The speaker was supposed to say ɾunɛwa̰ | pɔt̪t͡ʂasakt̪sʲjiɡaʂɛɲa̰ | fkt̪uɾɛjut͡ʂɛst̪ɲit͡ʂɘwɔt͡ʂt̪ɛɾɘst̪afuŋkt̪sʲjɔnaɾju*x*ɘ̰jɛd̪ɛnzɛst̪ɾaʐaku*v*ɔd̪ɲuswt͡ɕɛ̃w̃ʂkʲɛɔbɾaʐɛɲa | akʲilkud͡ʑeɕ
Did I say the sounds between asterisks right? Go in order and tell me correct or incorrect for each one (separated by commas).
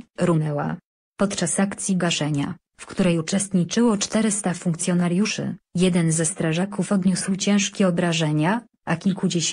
incorrect, incorrect